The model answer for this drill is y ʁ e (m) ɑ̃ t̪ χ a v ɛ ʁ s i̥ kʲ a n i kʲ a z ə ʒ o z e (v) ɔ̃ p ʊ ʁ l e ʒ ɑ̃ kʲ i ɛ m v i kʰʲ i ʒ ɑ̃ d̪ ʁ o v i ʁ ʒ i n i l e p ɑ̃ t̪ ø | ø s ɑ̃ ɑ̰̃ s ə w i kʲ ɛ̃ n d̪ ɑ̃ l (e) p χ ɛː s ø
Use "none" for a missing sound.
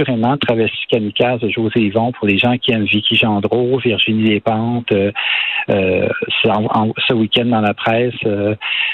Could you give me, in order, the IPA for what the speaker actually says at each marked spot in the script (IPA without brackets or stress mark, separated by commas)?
m, v, a